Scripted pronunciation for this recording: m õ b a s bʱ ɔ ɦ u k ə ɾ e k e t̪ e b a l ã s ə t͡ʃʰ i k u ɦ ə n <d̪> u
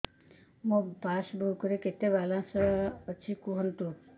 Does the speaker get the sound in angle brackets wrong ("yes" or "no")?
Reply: yes